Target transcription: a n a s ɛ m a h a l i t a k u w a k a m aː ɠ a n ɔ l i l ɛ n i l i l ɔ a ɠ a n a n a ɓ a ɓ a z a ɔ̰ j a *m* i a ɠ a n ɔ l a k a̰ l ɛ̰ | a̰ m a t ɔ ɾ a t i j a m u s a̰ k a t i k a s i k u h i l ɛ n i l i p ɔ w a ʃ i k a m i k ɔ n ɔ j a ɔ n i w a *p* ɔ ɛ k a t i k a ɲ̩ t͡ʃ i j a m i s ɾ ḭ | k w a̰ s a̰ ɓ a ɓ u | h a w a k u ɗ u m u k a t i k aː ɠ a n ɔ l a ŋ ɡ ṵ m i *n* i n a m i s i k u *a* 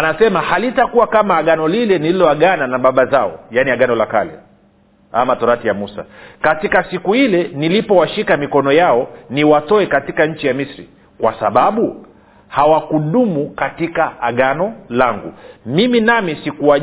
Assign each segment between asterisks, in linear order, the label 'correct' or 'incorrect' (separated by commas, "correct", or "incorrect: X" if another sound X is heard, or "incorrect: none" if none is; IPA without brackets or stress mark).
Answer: incorrect: n, incorrect: t, incorrect: m, correct